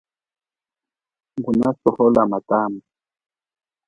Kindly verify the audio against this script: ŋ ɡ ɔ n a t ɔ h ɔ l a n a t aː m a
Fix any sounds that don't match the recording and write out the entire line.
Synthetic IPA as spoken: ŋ ɡ u n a s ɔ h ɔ l a m a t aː m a